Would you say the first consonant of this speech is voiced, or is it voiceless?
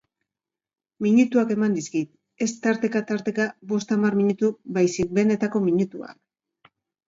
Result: voiced